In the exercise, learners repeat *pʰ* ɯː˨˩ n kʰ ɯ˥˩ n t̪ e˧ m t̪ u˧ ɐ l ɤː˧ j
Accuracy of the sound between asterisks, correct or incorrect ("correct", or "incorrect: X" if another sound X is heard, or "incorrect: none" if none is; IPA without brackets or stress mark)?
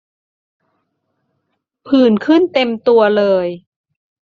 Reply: correct